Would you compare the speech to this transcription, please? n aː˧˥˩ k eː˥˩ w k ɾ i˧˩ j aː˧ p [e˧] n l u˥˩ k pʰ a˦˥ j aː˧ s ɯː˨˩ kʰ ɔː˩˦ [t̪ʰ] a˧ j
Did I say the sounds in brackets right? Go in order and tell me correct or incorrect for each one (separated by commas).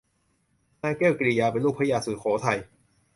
correct, correct